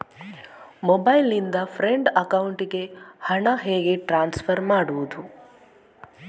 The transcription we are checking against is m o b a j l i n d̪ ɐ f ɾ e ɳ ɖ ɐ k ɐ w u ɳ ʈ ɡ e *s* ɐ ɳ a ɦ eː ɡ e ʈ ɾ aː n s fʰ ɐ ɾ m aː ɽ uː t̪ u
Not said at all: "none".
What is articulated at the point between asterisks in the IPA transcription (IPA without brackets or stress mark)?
h